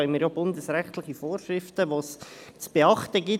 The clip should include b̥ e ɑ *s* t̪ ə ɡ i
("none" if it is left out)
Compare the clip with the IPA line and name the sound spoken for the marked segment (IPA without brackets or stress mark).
χ